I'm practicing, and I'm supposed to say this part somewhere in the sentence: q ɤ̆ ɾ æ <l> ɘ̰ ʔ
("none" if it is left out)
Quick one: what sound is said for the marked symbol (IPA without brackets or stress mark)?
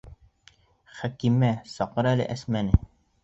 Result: l